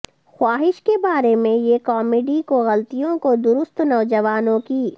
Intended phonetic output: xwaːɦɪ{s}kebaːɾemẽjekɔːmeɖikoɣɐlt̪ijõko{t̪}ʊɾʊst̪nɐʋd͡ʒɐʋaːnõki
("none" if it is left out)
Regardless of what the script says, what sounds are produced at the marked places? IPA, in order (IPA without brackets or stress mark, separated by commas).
ʃ, d̪